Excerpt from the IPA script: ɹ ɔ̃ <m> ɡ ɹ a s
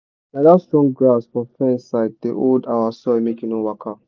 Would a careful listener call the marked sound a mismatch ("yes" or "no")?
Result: yes